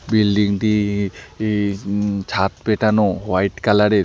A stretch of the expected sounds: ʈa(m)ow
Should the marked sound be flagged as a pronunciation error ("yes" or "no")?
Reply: yes